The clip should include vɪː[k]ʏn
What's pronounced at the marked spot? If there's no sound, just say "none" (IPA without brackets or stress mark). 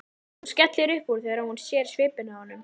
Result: p